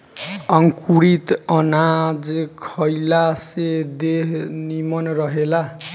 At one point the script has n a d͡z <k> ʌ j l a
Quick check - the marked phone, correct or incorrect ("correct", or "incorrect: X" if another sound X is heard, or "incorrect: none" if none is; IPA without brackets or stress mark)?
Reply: incorrect: kʰ